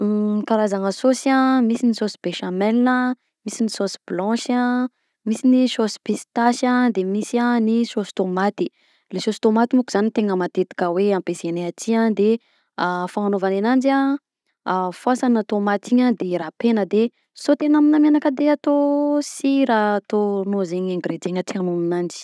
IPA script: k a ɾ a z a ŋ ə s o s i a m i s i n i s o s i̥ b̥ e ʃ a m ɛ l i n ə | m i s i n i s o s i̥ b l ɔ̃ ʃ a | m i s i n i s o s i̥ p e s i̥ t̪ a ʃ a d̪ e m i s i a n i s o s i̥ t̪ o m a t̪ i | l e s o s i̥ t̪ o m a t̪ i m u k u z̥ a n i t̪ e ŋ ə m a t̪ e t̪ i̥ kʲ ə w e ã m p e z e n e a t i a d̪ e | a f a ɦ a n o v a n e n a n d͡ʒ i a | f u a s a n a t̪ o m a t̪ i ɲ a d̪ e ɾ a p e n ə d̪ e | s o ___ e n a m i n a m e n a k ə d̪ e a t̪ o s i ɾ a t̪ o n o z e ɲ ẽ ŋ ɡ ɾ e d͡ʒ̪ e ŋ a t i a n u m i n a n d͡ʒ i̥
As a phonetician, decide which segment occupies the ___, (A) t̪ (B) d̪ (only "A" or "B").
A